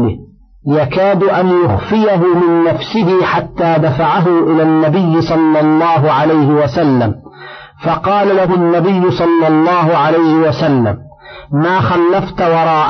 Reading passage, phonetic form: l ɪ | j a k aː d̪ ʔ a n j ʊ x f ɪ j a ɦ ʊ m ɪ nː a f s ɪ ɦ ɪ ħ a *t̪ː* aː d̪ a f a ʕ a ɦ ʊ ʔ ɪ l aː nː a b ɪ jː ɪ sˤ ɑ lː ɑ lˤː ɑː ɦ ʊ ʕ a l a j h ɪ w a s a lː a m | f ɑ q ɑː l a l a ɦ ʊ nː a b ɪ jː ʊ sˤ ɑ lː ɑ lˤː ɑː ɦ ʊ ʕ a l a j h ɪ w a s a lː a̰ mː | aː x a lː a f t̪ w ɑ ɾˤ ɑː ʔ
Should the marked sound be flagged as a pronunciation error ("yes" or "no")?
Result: no